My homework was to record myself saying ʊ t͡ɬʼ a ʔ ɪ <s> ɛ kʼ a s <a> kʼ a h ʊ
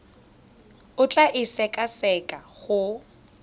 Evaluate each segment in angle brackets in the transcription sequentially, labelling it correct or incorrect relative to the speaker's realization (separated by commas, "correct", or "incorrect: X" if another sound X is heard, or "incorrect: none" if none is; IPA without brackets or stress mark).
correct, incorrect: ɛ